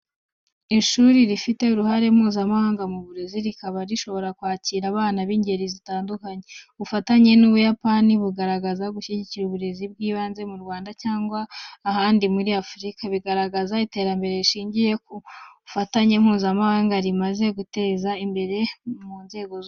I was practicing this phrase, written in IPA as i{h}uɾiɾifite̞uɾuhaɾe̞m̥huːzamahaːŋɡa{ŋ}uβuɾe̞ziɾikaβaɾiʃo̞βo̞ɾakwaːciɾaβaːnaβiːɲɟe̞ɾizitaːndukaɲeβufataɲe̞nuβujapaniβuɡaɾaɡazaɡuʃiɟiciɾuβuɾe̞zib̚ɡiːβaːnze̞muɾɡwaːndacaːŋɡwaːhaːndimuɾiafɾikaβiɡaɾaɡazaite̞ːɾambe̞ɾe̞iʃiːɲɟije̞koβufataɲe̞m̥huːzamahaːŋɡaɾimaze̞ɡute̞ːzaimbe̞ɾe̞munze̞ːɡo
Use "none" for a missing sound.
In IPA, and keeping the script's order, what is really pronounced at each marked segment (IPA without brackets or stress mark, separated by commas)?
ʃ, m